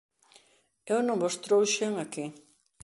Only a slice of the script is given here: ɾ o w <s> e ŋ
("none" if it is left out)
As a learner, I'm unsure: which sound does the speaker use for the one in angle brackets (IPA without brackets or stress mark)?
ʃ